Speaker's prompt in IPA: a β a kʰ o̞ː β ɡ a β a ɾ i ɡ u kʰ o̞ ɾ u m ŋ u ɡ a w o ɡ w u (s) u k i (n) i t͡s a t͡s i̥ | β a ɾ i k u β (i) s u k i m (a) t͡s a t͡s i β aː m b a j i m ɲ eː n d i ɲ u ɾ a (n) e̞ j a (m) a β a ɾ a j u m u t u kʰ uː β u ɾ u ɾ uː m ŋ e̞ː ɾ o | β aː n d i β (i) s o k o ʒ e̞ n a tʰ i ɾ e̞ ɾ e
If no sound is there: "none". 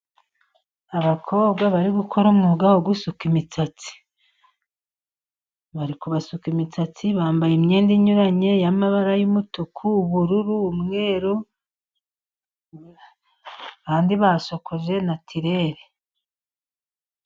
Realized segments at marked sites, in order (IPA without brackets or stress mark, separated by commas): s, m, a, i, ɲ, m, a